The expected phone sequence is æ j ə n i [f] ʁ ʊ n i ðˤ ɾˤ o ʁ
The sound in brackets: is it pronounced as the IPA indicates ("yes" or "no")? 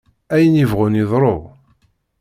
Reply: no